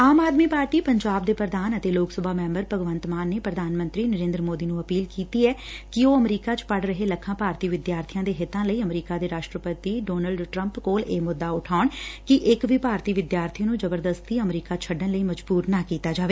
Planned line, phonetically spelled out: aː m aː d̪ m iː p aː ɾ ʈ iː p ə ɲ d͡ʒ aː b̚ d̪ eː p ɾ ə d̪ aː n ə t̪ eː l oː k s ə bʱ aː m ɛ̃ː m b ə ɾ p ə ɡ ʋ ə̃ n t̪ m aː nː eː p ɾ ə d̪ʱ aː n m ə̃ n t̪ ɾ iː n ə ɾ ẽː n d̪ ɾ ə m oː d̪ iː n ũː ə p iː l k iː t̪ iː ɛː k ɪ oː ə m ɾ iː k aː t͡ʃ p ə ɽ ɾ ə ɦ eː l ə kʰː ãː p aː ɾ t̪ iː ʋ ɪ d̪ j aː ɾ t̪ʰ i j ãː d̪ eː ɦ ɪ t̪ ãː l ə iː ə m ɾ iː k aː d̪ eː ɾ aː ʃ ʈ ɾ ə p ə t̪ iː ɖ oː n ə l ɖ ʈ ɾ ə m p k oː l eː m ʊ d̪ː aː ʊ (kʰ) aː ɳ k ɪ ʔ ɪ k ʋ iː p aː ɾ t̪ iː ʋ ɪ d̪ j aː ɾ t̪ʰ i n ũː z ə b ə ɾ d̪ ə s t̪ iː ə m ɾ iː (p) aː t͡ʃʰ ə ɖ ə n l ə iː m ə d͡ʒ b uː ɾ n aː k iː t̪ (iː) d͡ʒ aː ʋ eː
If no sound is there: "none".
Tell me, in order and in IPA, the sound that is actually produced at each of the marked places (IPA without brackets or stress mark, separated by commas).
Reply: ʈʰ, k, aː